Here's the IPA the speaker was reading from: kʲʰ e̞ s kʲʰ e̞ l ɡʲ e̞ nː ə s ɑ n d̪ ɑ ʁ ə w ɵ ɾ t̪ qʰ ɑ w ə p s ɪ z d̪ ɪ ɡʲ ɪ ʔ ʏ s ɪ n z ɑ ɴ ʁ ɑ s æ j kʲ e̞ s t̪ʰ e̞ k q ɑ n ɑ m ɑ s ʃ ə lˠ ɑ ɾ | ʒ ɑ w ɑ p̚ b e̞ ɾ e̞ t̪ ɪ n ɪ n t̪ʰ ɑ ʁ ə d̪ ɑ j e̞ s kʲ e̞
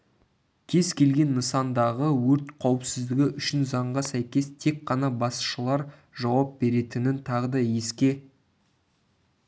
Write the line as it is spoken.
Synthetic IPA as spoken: kʲʰ e̞ z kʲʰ e̞ l ɡʲ e̞ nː ə s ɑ n d̪ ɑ ʁ ə w ɵ ɾ t̪ qʰ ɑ w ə p s ɪ z d̪ ɪ ɡʲ ɪ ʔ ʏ ʃ ɪ n z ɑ ɴ ʁ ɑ s æ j kʲ e̞ s t̪ʰ e̞ k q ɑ n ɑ b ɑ s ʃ ə lˠ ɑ ɾ | ʒ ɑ w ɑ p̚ b e̞ ɾ e̞ t̪ ɪ n ɪ n t̪ʰ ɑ ʁ ə d̪ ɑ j e̞ s kʲ e̞